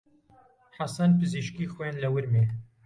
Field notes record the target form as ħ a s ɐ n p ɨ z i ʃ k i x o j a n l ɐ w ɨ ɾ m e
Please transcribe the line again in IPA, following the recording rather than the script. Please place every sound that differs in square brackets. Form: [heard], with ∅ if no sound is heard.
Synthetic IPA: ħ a s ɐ n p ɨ z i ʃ k i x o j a n l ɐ w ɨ ɾ m e